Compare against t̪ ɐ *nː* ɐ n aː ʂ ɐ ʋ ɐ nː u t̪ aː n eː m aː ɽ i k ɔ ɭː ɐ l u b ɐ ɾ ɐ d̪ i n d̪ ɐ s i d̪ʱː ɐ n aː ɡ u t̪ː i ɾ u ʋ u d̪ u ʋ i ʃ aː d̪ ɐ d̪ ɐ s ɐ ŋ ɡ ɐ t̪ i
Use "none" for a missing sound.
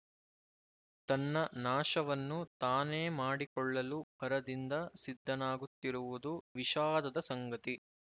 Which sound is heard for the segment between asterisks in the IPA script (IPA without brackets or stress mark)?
nː